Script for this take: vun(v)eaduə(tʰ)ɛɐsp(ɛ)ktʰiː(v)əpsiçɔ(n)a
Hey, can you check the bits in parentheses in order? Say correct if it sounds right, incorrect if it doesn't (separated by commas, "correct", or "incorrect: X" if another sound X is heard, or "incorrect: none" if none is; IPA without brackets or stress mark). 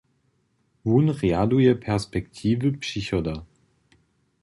incorrect: ʁ, incorrect: pʰ, correct, correct, incorrect: d